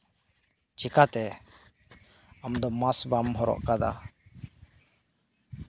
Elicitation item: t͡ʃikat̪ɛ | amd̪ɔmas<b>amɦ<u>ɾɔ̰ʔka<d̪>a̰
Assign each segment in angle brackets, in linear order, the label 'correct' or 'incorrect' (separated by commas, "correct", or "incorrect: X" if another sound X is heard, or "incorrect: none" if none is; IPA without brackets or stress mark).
correct, incorrect: ɔ, correct